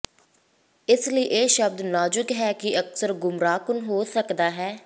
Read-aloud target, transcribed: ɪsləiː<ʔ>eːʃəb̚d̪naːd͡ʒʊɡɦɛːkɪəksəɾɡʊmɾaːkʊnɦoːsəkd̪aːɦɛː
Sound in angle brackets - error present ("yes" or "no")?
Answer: no